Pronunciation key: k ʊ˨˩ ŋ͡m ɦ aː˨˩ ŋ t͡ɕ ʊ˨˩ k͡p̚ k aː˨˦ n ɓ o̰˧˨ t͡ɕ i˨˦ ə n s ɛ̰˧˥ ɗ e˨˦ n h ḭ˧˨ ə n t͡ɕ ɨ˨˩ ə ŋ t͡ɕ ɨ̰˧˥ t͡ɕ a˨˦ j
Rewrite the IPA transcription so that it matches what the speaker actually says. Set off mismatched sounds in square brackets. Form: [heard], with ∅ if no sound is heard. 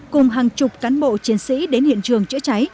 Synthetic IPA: k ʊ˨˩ ŋ͡m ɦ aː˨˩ ŋ t͡ɕ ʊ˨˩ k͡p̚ k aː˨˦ n ɓ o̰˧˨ t͡ɕ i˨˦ ə n s [ḭ˧˥] ɗ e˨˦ n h ḭ˧˨ ə n t͡ɕ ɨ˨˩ ə ŋ t͡ɕ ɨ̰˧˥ t͡ɕ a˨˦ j